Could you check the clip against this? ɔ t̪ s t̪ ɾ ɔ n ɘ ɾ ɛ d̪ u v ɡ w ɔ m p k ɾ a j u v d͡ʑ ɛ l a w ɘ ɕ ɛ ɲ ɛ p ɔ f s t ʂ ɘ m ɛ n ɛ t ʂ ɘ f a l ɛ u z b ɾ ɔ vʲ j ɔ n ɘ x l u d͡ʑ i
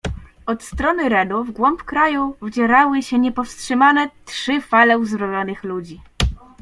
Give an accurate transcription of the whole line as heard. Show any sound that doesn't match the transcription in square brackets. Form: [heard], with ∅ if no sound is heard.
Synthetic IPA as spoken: ɔ t̪ s t̪ ɾ ɔ n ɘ ɾ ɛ d̪ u v ɡ w ɔ m p k ɾ a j u v d͡ʑ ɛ [ɾ] a w ɘ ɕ ɛ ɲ ɛ p ɔ f s t ʂ ɘ m [a] n ɛ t ʂ ɘ f a l ɛ u z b ɾ ɔ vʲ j ɔ n ɘ x l u d͡ʑ i

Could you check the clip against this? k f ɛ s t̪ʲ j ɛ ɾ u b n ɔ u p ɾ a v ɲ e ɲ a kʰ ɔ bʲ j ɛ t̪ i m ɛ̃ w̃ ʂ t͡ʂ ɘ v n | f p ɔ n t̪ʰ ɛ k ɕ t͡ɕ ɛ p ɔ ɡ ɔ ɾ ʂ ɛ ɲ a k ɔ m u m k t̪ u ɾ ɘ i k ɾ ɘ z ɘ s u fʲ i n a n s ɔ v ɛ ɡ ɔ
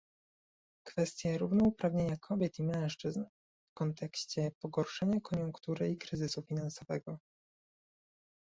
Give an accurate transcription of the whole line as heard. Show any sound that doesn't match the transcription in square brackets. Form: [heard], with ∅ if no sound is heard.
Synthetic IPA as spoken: k f ɛ s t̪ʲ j ɛ ɾ u [v] n ɔ u p ɾ a v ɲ e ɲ a kʰ ɔ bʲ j ɛ t̪ i m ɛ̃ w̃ ʂ t͡ʂ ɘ [z] n | f [k] ɔ n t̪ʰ ɛ k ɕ t͡ɕ ɛ p ɔ ɡ ɔ ɾ ʂ ɛ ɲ a k ɔ [ɲ] u [ŋ] k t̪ u ɾ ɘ i k ɾ ɘ z ɘ s u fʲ i n a n s ɔ v ɛ ɡ ɔ

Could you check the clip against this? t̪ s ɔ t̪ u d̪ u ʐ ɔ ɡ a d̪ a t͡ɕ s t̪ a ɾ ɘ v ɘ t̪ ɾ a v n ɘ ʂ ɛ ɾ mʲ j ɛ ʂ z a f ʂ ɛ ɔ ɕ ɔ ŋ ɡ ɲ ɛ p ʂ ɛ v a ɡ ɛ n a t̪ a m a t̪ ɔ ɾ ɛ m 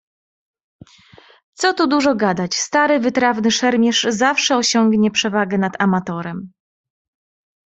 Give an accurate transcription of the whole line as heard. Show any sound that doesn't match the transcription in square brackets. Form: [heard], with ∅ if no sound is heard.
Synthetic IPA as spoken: t̪ s ɔ t̪ u d̪ u ʐ ɔ ɡ a d̪ a t͡ɕ s t̪ a ɾ ɘ v ɘ t̪ ɾ a v n ɘ ʂ ɛ ɾ mʲ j ɛ ʂ z a f ʂ ɛ ɔ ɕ ɔ ŋ ɡ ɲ ɛ p ʂ ɛ v a ɡ ɛ n a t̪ a m a t̪ ɔ ɾ ɛ m

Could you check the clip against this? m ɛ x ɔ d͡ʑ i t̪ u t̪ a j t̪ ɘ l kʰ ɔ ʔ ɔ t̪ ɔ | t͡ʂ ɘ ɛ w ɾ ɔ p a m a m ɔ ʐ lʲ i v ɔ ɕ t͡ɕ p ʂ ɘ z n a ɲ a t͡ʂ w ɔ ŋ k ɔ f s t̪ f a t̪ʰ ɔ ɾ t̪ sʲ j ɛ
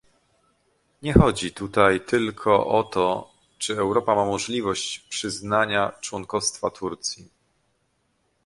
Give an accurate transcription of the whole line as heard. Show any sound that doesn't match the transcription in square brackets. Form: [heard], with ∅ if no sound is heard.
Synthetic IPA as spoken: [ɲ] ɛ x ɔ d͡ʑ i t̪ u t̪ a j t̪ ɘ l kʰ ɔ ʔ ɔ t̪ ɔ | t͡ʂ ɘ ɛ w ɾ ɔ p a m a m ɔ ʐ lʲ i v ɔ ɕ t͡ɕ p ʂ ɘ z n a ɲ a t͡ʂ w ɔ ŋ k ɔ f s t̪ f a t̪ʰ [u] ɾ t̪ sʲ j [i]

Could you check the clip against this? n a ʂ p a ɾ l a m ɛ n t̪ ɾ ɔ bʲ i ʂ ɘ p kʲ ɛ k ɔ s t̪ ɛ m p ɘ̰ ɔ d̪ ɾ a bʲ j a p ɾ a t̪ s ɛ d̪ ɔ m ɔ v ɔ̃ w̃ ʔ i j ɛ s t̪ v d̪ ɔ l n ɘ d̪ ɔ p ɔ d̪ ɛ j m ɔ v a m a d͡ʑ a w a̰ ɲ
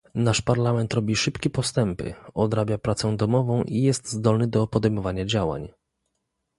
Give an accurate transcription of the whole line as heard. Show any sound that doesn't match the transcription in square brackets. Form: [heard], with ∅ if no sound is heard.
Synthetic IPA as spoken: n a ʂ p a ɾ l a m ɛ n t̪ ɾ ɔ bʲ i ʂ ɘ p kʲ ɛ [p] ɔ s t̪ ɛ m p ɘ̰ ɔ d̪ ɾ a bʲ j a p ɾ a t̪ s ɛ d̪ ɔ m ɔ v ɔ̃ w̃ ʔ i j ɛ s t̪ [z] d̪ ɔ l n ɘ d̪ ɔ p ɔ d̪ ɛ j m ɔ v a [ɲ] a d͡ʑ a w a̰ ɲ

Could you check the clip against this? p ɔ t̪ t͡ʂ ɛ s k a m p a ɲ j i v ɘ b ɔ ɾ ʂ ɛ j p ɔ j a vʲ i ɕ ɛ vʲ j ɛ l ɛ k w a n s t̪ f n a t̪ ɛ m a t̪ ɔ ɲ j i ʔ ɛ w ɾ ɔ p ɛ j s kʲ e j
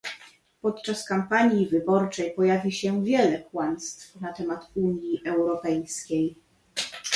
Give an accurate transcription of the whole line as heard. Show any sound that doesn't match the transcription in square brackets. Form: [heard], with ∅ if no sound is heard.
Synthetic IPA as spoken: p ɔ t̪ t͡ʂ [a] s k a m p a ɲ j i v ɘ b ɔ ɾ [t͡ʂ] ɛ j p ɔ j a vʲ i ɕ ɛ vʲ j ɛ l ɛ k w a n s t̪ f n a t̪ ɛ m a t̪ [u] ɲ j i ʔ ɛ w ɾ ɔ p ɛ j s kʲ e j

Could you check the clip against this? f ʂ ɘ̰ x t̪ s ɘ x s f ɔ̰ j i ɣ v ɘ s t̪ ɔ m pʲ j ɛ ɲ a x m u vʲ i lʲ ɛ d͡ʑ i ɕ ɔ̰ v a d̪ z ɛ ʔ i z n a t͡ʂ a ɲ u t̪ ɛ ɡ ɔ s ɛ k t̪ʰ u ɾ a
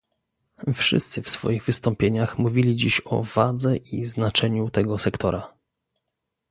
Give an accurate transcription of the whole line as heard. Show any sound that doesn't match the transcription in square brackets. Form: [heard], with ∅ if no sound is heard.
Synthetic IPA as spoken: f ʂ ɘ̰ [s] t̪ s ɘ [f] s f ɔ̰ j i ɣ v ɘ s t̪ ɔ m pʲ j [e] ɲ a x m u vʲ i lʲ [i] d͡ʑ i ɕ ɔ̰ v a d̪ z ɛ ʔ i z n a t͡ʂ [ɛ] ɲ u t̪ ɛ ɡ ɔ s ɛ k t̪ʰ [ɔ] ɾ a

